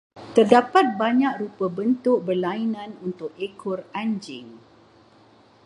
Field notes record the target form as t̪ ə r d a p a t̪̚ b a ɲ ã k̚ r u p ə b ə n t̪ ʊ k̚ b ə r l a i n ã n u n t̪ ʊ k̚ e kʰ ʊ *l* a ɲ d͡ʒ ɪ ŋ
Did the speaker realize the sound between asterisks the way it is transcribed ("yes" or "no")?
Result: no